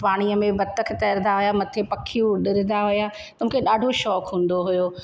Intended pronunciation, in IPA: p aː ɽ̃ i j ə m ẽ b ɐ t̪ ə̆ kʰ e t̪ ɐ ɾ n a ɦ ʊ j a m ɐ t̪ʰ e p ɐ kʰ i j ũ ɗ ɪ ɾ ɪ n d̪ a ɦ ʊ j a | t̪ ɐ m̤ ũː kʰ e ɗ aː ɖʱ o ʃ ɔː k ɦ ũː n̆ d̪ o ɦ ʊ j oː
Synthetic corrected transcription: p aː ɽ̃ i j ə m ẽ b ɐ t̪ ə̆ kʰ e t̪ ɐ ɾ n a ɦ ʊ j a m ɐ t̪ʰ e p ɐ kʰ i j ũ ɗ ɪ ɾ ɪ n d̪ a ɦ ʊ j a | t̪ ɐ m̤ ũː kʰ e ɗ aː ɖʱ o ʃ ɔː k ɦ ũː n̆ d̪ o ɦ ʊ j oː